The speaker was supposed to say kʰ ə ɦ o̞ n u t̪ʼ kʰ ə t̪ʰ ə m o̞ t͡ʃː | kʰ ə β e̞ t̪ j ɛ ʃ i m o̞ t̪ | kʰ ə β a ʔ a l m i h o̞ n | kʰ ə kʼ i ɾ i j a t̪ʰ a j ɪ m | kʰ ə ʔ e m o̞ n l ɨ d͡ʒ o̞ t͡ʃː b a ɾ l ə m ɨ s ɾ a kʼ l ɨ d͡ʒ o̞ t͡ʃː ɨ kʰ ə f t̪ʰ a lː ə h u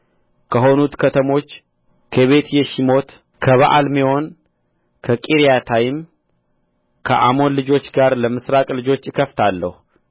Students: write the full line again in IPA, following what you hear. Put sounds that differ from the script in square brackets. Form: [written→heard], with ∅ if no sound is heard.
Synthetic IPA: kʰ ə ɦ o̞ n u [t̪ʼ→t̪] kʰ ə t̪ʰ ə m o̞ t͡ʃː | kʰ ə β e̞ t̪ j ɛ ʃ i m o̞ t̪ | kʰ ə β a ʔ a l m i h o̞ n | kʰ ə kʼ i ɾ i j a t̪ʰ a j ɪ m | kʰ ə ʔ [e→a] m o̞ n l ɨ d͡ʒ o̞ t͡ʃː [b→ɡ] a ɾ l ə m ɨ s ɾ a kʼ l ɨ d͡ʒ o̞ t͡ʃː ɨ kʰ ə f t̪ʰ a lː ə h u